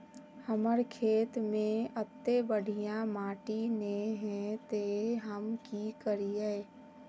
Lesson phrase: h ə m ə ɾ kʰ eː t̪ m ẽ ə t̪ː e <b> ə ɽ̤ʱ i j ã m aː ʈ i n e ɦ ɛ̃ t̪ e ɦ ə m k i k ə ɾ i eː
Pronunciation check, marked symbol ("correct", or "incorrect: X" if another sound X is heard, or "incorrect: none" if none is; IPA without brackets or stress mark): correct